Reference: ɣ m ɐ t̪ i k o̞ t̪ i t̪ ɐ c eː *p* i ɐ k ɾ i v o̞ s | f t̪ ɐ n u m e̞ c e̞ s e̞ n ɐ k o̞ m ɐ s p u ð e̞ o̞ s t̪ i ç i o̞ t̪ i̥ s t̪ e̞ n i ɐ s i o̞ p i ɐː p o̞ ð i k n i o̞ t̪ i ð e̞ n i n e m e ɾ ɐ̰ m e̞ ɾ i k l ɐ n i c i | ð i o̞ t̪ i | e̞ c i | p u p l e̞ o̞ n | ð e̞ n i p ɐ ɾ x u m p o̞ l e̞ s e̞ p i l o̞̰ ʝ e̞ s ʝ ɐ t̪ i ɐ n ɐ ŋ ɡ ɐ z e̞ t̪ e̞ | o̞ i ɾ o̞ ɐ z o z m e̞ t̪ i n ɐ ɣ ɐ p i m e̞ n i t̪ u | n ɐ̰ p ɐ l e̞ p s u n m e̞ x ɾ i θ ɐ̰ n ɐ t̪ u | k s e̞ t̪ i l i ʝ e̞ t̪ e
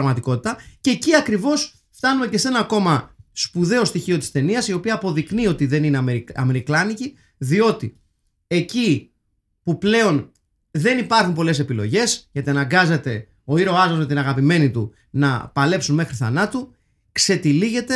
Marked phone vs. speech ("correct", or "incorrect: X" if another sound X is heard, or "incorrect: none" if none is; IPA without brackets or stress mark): incorrect: c